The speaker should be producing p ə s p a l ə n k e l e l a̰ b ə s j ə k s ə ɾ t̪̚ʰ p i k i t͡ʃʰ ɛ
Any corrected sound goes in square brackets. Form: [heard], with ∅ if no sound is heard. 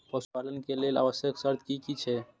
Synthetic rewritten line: p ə s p a l ə n k e l e l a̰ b ə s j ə k s ə ɾ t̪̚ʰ [k] i k i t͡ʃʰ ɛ